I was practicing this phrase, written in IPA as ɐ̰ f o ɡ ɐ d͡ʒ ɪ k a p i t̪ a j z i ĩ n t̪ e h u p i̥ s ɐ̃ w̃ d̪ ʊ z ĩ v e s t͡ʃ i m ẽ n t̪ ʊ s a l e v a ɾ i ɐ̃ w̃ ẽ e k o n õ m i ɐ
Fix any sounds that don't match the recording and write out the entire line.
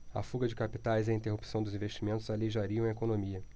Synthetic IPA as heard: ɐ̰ f u ɡ ɐ d͡ʒ ɪ k a p i t̪ a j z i ĩ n t̪ e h u p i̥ s ɐ̃ w̃ d̪ ʊ z ĩ v e ʃ t͡ʃ i m ẽ n t̪ ʊ z a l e ʒ a ɾ i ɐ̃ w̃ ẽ e k o n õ m i ɐ